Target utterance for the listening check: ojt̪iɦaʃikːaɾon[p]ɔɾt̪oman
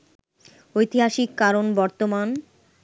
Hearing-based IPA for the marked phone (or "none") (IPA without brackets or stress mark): b